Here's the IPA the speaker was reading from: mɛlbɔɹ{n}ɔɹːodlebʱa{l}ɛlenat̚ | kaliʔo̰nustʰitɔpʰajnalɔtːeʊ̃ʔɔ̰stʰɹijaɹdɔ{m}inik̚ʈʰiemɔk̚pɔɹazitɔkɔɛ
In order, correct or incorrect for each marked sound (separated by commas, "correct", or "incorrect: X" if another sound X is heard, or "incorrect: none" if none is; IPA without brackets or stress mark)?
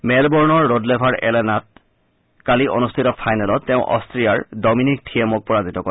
correct, incorrect: ɹ, correct